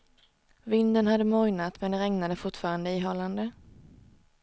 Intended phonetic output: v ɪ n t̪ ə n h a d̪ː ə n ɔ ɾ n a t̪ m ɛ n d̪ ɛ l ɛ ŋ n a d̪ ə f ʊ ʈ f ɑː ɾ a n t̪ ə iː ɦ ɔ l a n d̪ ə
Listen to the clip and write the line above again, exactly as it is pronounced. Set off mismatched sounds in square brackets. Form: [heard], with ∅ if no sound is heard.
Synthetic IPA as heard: v ɪ n [d̪] ə n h a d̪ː ə [m] ɔ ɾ n a t̪ m ɛ n d̪ ɛ [ɾ] ɛ ŋ n a d̪ ə f ʊ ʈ f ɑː ɾ a n [d̪] ə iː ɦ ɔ l a n d̪ ə